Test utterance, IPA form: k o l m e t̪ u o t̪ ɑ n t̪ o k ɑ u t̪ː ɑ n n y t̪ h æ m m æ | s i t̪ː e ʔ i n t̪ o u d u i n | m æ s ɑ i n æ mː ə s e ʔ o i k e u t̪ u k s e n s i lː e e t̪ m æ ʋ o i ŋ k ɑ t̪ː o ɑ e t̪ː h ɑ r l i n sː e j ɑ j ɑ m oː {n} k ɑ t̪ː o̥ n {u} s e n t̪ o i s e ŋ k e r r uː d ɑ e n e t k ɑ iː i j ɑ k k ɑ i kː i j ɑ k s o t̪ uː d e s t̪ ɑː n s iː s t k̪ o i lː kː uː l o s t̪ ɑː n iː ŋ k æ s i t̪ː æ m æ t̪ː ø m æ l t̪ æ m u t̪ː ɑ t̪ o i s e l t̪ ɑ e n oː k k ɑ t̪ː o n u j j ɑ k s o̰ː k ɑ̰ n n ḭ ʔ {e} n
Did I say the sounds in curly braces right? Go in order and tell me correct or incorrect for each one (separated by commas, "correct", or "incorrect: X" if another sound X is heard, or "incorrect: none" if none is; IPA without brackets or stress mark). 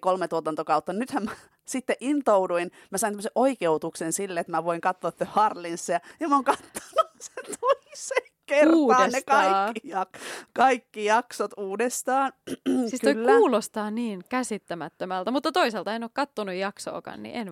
incorrect: ŋ, correct, correct